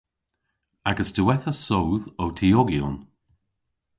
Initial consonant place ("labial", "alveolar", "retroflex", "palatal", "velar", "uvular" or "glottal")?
velar